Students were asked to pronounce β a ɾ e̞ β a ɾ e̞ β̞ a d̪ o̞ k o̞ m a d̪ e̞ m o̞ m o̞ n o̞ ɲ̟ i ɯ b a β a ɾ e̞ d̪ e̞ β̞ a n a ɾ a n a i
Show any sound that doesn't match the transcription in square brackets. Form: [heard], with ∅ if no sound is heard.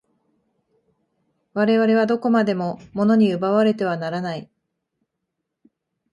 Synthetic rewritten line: β a ɾ e̞ β a ɾ e̞ β̞ a d̪ o̞ k o̞ m a d̪ e̞ m o̞ m o̞ n o̞ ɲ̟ i ɯ b a β a ɾ e̞ [t̪] e̞ β̞ a n a ɾ a n a i

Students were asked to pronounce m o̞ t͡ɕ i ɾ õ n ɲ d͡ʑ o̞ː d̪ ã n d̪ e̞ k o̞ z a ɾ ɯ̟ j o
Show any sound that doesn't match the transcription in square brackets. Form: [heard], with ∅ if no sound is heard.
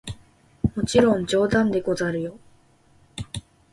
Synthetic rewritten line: m o̞ t͡ɕ i ɾ õ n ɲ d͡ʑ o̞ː d̪ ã n d̪ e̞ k o̞ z a ɾ ɯ̟ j o

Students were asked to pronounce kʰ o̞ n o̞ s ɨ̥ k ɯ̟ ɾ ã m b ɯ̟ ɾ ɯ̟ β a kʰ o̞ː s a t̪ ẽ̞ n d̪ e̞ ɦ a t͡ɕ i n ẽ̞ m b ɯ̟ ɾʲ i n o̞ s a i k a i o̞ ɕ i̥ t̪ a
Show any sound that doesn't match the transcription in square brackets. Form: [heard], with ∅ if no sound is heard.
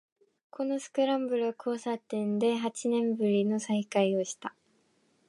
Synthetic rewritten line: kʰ o̞ n o̞ s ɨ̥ k ɯ̟ ɾ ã m b ɯ̟ ɾ ɯ̟ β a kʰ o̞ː s a t̪ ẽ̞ n d̪ e̞ ɦ a t͡ɕ i n ẽ̞ m b ɯ̟ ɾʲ i n o̞ s a i k a i o̞ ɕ i̥ t̪ a

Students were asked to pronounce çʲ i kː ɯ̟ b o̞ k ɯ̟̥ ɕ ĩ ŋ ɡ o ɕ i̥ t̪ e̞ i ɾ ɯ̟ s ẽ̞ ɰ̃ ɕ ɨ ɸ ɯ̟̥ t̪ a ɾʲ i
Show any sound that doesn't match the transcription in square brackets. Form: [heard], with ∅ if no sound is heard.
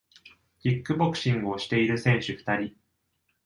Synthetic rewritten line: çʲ i kː ɯ̟ b o̞ k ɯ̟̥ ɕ ĩ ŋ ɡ o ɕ i̥ t̪ e̞ i ɾ ɯ̟ s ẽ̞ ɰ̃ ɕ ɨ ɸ ɯ̟̥ t̪ a ɾʲ i

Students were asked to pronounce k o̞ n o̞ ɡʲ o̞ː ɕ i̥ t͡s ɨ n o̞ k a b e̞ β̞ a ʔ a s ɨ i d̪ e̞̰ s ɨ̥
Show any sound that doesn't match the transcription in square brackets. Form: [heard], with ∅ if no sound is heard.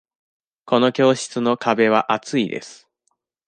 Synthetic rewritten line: k o̞ n o̞ [kʲ] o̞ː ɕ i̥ t͡s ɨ n o̞ k a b e̞ β̞ a ʔ a [t͡s] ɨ i d̪ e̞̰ s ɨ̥

